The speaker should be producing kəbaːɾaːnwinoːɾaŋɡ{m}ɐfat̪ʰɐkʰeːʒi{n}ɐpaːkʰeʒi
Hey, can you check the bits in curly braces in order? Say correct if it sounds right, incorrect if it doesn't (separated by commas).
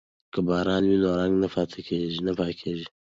incorrect, correct